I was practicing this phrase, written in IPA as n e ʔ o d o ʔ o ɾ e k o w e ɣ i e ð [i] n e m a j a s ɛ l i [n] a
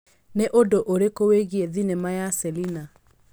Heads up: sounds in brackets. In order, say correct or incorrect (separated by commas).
correct, correct